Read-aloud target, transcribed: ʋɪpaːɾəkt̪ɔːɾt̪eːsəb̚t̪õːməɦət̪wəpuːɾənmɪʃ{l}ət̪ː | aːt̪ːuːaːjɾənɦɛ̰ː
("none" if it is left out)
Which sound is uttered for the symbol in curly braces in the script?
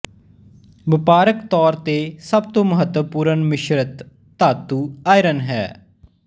ɾ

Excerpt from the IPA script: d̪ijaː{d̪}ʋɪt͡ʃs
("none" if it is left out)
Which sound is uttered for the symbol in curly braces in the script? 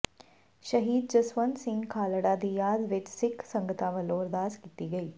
d̪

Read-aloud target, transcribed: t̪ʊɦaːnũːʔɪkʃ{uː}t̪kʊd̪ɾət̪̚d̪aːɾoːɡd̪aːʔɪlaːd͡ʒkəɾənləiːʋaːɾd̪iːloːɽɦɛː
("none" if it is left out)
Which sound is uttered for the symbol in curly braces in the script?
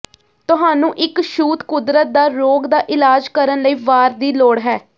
uː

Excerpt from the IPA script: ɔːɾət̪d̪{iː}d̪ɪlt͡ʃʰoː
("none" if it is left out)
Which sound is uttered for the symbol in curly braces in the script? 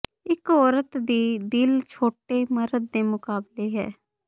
iː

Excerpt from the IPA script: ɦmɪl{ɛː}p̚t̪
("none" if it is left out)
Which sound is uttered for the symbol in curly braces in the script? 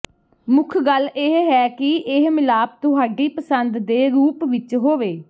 aː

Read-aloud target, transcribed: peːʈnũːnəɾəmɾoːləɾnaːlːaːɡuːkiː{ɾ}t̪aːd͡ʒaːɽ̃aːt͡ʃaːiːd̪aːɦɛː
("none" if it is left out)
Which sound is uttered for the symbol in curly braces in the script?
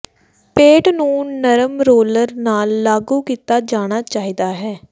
none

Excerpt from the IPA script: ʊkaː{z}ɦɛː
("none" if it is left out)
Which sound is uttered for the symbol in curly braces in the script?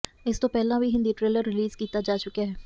none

